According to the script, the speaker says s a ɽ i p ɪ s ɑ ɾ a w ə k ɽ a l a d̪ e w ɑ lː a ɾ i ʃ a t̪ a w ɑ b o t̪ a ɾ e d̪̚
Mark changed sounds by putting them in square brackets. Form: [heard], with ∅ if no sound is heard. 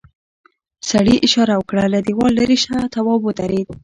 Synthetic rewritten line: s a ɽ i [ʔ] ɪ [ʃ] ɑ ɾ a w ə k ɽ a l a d̪ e w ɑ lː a ɾ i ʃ a t̪ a w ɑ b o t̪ a ɾ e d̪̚